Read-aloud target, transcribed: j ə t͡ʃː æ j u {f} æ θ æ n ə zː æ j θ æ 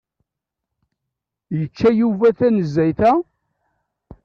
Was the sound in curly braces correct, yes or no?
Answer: no